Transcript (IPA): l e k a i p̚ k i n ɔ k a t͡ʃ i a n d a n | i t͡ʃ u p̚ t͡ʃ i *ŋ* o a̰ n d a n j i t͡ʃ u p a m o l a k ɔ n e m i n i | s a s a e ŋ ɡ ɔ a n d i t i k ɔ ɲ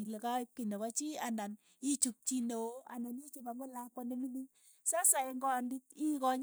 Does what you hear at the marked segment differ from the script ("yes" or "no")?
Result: yes